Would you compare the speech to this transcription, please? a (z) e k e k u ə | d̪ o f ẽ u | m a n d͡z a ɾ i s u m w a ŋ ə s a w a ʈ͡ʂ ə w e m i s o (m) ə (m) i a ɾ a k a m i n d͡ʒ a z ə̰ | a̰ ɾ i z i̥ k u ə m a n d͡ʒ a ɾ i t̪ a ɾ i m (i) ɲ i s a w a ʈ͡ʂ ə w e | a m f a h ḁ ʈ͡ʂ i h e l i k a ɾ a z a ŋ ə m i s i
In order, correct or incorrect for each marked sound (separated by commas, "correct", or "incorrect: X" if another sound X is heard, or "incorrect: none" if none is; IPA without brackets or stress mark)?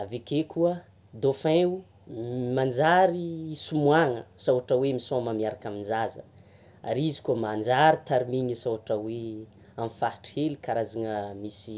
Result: incorrect: v, correct, correct, correct